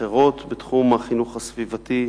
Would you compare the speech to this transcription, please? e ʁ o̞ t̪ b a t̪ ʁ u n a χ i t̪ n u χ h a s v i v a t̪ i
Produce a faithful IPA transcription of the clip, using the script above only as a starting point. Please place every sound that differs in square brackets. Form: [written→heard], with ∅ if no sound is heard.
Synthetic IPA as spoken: e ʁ o̞ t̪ b [a→e] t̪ [ʁ→χ] u [n→m] a χ i [t̪→∅] n u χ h a s v i v a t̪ i